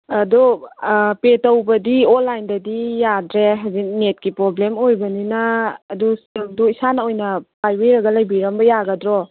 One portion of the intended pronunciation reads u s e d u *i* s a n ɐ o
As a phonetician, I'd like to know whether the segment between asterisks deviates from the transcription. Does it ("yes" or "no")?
no